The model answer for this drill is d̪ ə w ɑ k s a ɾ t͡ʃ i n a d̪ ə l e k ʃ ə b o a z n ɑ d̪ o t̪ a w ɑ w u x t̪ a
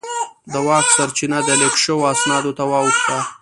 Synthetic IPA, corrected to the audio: d̪ ə w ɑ k s a ɾ t͡ʃ i n a d̪ ə l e k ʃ ə w o a s n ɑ d̪ o t̪ a w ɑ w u x t̪ a